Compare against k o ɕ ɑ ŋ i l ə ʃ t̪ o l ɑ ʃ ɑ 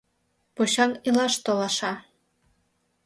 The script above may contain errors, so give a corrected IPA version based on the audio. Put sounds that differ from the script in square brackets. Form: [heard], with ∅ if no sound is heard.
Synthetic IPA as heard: [p] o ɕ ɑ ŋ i l [ɑ] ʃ t̪ o l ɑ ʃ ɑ